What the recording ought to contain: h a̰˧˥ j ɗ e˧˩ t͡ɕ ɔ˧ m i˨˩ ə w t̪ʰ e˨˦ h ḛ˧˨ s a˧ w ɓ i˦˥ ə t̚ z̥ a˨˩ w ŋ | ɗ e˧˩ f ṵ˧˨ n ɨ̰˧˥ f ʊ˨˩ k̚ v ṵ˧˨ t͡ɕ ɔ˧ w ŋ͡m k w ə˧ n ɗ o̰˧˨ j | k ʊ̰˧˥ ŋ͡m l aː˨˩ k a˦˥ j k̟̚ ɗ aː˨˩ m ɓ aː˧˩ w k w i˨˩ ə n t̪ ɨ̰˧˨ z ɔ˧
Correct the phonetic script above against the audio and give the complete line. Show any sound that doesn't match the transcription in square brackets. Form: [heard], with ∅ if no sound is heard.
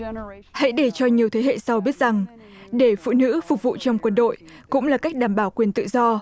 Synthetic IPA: h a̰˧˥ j ɗ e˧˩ t͡ɕ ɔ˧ [ɲ] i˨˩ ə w t̪ʰ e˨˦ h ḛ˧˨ s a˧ w ɓ i˦˥ ə t̚ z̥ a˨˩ [∅] ŋ | ɗ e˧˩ f ṵ˧˨ n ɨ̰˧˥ f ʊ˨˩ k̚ v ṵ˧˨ t͡ɕ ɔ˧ w ŋ͡m k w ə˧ n ɗ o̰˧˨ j | k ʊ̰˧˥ ŋ͡m l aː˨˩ k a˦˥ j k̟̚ ɗ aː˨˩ m ɓ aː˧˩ w k w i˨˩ ə n t̪ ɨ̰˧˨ z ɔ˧

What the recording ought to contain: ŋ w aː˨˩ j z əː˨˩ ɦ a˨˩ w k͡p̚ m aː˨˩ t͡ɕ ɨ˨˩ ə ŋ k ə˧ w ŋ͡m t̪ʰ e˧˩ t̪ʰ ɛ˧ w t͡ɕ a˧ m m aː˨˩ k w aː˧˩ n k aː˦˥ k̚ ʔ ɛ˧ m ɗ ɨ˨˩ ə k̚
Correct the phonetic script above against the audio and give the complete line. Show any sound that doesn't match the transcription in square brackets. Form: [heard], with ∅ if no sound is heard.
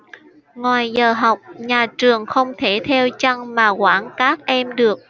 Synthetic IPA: ŋ w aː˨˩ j z əː˨˩ ɦ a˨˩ w k͡p̚ [ɲ] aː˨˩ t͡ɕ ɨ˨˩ ə ŋ [x] ə˧ w ŋ͡m t̪ʰ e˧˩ t̪ʰ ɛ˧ w t͡ɕ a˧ [ŋ] m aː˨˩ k w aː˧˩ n k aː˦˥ k̚ ʔ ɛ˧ m ɗ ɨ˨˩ ə k̚

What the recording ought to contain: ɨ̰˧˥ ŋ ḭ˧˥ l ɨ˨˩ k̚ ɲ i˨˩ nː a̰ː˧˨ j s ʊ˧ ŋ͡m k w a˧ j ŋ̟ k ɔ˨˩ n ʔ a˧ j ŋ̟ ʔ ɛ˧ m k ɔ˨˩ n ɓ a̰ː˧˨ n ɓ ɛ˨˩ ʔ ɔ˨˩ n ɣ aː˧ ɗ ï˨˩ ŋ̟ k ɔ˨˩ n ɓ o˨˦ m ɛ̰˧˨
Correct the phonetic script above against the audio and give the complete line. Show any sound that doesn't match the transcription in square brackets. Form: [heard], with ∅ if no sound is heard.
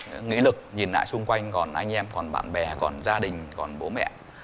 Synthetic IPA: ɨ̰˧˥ ŋ ḭ˧˥ l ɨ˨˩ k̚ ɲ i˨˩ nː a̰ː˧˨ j s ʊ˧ ŋ͡m k w a˧ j ŋ̟ k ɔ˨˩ n ʔ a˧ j ŋ̟ ʔ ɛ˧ m k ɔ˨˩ n ɓ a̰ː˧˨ n ɓ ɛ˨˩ [k] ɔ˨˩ n [z] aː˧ ɗ ï˨˩ ŋ̟ k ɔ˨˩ n ɓ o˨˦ m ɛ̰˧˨

